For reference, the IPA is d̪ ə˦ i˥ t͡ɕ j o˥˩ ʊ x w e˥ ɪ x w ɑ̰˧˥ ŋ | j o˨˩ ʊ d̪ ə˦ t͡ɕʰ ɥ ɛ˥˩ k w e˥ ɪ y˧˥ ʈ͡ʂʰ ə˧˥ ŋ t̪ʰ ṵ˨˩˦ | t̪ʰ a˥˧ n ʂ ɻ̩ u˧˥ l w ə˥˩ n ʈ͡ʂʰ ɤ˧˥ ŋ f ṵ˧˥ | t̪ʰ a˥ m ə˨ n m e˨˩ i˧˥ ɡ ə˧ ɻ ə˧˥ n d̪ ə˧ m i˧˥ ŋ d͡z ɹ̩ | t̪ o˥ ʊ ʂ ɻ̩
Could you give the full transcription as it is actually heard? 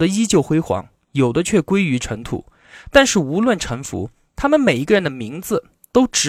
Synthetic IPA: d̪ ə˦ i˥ t͡ɕ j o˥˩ ʊ x w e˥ ɪ x w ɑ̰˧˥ ŋ | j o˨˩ ʊ d̪ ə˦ t͡ɕʰ ɥ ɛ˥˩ k w e˥ ɪ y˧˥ ʈ͡ʂʰ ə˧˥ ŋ t̪ʰ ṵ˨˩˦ | t̪ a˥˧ n ʂ ɻ̩ u˧˥ l w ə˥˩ n ʈ͡ʂʰ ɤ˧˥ ŋ f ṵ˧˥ | t̪ʰ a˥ m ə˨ n m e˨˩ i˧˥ ɡ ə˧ ɻ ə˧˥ n d̪ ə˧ m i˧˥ ŋ d͡z ɹ̩ | t̪ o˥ ʊ ʈ͡ʂ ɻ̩